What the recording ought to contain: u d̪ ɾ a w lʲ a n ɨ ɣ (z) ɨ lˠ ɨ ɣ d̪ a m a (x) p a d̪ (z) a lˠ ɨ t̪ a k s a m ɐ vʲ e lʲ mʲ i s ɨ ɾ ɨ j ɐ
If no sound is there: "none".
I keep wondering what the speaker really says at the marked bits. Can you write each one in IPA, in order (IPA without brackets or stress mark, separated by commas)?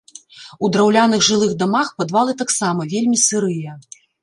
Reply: ʐ, x, v